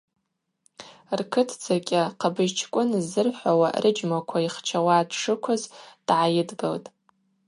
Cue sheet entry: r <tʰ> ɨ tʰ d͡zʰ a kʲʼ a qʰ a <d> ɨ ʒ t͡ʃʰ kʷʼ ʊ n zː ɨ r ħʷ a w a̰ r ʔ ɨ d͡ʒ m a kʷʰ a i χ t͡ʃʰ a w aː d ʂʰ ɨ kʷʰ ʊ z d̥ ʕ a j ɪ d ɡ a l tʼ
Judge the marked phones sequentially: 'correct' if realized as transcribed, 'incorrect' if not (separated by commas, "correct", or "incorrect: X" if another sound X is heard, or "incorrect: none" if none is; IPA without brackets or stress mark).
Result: incorrect: kʰ, incorrect: b